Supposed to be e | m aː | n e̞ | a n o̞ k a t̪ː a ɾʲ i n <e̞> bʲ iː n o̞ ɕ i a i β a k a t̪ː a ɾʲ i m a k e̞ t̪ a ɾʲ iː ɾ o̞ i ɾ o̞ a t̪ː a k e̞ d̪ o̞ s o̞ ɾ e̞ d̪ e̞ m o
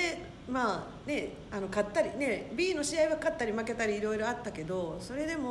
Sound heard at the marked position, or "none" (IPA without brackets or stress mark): e̞